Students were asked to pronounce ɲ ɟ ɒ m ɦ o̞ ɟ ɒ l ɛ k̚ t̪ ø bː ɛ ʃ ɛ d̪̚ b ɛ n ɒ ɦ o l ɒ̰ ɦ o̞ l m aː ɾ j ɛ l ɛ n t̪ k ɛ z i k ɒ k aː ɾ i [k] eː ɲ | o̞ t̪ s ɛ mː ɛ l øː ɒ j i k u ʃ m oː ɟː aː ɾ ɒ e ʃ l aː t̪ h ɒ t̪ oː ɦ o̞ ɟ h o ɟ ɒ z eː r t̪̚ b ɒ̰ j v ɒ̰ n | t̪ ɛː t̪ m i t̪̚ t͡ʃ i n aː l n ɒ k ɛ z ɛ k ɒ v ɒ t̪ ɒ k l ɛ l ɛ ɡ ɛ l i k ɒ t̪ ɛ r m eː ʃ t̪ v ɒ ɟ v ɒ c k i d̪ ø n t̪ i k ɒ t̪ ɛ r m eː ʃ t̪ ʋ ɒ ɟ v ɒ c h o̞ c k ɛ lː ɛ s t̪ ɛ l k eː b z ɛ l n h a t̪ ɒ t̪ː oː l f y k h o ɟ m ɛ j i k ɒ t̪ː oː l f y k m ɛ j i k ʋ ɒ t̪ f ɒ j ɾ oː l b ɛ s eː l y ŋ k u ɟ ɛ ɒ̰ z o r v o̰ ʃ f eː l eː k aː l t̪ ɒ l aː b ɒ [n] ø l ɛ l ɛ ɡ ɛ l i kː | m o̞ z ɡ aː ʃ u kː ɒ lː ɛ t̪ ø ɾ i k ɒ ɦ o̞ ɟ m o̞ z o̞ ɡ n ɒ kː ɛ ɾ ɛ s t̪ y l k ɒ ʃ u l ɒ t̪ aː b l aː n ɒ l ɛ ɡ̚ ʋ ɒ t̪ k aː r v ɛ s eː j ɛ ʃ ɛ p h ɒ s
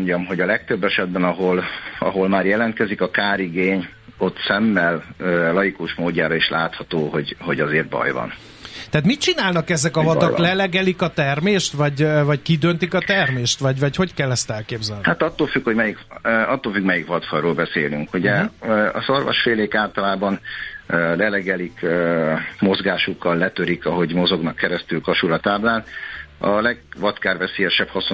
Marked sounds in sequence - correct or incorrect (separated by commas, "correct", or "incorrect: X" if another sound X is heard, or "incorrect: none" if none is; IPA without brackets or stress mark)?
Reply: incorrect: ɡ, correct